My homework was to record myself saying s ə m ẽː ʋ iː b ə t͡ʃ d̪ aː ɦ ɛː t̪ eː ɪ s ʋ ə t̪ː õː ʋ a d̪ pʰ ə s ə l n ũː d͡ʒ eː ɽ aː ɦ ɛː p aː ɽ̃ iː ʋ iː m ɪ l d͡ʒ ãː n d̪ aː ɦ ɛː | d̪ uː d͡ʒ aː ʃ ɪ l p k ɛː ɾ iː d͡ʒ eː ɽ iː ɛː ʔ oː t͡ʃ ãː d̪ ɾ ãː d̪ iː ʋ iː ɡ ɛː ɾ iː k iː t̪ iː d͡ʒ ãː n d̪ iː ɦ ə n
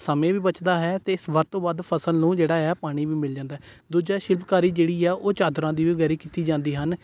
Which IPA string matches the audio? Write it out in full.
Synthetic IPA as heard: s ə m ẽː ʋ iː b ə t͡ʃ d̪ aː ɦ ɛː t̪ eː ɪ s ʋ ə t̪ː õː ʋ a d̪ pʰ ə s ə l n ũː d͡ʒ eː ɽ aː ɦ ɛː p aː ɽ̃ iː ʋ iː m ɪ l d͡ʒ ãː n d̪ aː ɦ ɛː | d̪ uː d͡ʒ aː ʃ ɪ l p k aː ɾ iː d͡ʒ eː ɽ iː ɛː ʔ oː t͡ʃ aː d̪ ɾ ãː d̪ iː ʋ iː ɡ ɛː ɾ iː k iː t̪ iː d͡ʒ ãː n d̪ iː ɦ ə n